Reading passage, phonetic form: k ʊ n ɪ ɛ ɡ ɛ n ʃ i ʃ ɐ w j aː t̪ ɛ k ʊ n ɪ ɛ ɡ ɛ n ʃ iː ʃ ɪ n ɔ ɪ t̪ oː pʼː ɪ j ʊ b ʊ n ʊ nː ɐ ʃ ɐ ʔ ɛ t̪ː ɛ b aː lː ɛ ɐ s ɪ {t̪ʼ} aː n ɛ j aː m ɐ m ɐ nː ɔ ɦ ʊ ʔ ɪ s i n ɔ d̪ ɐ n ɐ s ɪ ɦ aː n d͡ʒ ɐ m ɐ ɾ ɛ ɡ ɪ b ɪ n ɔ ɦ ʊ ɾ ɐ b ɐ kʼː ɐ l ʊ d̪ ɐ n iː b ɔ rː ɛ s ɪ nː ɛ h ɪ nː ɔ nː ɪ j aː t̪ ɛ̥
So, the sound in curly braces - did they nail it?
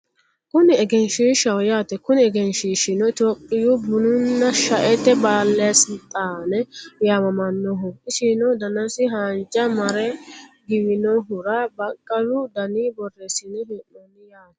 yes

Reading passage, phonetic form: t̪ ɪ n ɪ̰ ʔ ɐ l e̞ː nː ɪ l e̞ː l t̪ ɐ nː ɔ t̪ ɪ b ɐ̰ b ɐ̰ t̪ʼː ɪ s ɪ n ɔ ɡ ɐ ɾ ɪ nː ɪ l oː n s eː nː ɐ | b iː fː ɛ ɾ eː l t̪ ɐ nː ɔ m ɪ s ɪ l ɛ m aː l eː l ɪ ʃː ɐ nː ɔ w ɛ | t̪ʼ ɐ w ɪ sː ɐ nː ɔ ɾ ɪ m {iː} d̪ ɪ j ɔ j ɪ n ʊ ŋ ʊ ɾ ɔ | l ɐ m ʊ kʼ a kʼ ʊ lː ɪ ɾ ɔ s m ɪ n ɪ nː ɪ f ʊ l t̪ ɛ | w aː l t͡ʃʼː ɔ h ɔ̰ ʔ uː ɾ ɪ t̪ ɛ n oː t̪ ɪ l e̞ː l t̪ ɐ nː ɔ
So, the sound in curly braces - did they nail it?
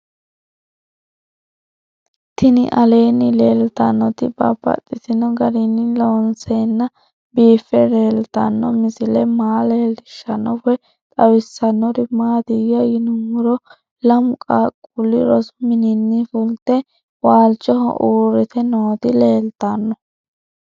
no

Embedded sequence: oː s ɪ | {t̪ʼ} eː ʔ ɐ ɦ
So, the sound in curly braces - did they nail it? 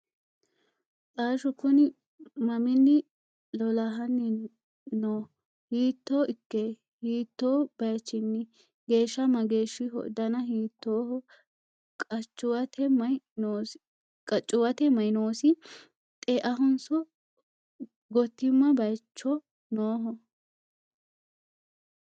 yes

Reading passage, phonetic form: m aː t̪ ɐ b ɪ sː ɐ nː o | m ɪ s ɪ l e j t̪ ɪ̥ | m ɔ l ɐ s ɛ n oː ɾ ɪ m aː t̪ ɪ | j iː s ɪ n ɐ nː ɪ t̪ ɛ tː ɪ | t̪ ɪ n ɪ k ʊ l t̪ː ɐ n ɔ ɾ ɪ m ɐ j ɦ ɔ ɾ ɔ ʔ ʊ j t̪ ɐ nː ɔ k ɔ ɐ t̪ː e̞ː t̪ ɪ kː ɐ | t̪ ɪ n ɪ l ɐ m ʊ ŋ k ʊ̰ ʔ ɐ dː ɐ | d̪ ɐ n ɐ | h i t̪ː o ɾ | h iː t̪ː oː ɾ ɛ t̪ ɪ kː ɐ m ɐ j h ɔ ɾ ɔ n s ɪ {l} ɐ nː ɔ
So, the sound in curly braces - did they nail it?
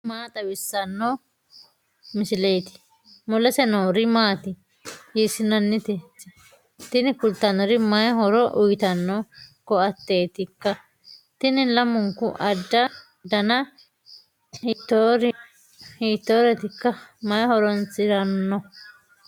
no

